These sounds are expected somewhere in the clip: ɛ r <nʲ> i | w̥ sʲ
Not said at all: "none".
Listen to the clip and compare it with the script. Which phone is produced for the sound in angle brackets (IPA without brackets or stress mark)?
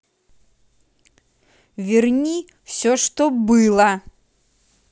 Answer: nʲ